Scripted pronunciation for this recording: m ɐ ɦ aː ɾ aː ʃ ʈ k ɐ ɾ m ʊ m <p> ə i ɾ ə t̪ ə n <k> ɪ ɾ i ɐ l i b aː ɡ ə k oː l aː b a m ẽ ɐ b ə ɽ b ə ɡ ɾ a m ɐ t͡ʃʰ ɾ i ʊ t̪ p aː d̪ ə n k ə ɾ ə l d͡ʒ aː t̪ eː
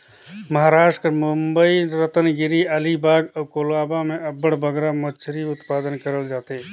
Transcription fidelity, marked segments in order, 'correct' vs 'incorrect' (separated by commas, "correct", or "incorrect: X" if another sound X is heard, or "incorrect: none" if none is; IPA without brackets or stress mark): incorrect: b, incorrect: ɡ